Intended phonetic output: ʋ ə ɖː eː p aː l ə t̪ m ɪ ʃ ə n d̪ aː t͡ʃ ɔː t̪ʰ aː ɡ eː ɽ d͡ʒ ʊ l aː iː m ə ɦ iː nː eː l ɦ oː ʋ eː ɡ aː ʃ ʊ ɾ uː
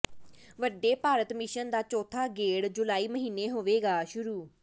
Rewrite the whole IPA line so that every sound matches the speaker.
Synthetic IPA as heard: ʋ ə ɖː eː p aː ɾ ə t̪ m ɪ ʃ ə n d̪ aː t͡ʃ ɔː t̪ʰ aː ɡ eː ɽ d͡ʒ ʊ l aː iː m ə ɦ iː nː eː ɦ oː ʋ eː ɡ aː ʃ ʊ ɾ uː